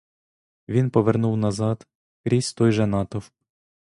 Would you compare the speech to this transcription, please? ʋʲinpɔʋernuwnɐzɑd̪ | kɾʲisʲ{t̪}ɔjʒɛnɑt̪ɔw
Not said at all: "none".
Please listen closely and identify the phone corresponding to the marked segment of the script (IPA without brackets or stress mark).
t̪